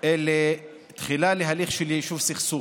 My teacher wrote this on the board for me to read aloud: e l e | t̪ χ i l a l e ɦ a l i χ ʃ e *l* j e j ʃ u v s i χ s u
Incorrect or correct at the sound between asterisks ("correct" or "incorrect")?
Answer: correct